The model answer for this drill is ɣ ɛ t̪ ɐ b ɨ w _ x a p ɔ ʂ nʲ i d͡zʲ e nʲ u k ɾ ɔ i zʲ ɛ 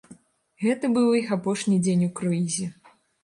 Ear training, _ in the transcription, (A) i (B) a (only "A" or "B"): A